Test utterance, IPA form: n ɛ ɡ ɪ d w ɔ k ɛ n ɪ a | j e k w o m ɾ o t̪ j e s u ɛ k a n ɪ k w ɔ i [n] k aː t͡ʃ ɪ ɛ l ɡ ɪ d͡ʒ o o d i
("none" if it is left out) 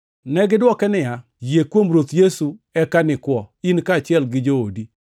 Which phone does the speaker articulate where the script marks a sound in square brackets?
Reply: n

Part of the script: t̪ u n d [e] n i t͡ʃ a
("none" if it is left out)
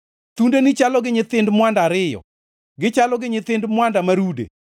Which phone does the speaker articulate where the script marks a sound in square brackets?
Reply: e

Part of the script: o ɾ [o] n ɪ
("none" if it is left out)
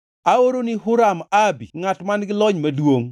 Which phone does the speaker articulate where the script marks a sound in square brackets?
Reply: o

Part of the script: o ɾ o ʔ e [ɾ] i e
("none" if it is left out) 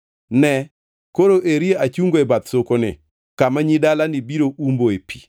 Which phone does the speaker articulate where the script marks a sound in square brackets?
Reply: ɾ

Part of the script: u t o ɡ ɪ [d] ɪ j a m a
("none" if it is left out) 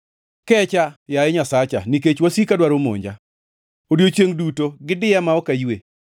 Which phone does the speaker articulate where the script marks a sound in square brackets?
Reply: d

